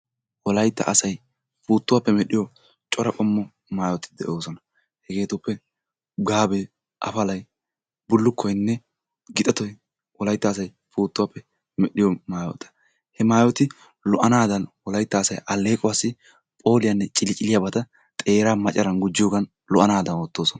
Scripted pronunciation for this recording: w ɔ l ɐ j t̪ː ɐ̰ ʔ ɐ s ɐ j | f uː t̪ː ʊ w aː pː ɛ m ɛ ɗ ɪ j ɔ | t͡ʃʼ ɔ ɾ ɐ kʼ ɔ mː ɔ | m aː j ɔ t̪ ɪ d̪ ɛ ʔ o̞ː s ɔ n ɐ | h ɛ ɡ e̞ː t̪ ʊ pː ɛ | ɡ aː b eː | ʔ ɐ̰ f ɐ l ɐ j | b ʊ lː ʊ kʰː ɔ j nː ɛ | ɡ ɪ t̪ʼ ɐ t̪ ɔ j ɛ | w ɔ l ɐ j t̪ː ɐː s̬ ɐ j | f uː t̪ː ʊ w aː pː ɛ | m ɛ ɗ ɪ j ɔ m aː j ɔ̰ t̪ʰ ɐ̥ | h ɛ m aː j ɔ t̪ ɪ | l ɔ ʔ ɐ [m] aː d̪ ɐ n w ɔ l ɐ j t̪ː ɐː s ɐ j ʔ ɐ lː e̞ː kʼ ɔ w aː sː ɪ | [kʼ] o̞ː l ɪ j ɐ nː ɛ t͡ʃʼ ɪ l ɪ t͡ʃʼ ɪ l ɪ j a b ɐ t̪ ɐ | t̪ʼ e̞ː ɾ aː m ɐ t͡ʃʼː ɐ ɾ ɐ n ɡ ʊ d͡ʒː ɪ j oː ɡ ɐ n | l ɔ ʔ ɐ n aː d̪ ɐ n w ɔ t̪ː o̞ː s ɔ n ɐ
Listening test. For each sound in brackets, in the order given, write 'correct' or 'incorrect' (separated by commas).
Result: incorrect, incorrect